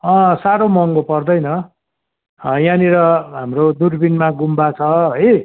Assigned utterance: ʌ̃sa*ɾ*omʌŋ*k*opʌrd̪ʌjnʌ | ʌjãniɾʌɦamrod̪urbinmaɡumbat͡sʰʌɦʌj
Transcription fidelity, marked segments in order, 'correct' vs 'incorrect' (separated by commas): correct, incorrect